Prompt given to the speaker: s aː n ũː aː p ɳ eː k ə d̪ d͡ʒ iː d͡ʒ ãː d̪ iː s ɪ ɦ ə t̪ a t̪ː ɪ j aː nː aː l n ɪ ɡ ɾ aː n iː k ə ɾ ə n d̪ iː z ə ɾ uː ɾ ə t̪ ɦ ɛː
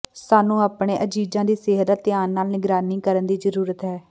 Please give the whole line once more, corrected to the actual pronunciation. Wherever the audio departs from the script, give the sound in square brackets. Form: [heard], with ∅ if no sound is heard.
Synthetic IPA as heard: s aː n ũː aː p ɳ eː [ʔ] ə [∅] d͡ʒ iː d͡ʒ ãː d̪ iː s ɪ ɦ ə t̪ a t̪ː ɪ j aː nː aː l n ɪ ɡ ɾ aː n iː k ə ɾ ə n d̪ iː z ə ɾ uː ɾ ə t̪ ɦ ɛː